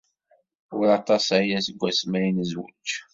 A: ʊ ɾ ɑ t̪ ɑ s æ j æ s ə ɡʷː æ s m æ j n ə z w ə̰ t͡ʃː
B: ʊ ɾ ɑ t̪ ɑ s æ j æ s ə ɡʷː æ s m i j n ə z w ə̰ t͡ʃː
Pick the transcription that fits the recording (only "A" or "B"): A